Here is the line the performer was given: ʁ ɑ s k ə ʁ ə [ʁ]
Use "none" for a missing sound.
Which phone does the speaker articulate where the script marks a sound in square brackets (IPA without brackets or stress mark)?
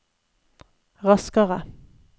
none